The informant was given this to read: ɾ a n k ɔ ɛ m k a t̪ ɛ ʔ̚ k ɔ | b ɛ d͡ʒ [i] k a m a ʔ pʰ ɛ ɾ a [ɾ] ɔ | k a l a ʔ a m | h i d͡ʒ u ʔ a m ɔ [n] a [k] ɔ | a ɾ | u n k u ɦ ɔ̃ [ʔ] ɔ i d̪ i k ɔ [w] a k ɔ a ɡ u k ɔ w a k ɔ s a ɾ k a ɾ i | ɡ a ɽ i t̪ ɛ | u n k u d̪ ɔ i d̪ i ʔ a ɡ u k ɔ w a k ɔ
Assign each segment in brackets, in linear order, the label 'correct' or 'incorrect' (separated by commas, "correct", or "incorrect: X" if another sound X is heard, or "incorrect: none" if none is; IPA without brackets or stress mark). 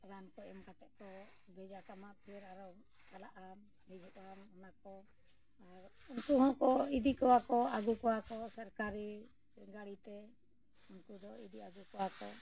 incorrect: a, correct, correct, correct, incorrect: k, correct